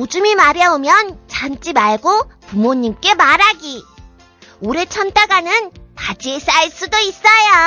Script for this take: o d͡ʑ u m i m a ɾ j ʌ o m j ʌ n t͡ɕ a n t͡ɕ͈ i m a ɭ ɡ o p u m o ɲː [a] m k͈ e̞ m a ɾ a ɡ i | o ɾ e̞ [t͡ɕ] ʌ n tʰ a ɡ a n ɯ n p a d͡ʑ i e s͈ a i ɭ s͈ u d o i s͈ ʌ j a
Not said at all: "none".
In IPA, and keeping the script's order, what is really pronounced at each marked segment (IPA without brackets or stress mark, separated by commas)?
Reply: i, t͡ɕʰ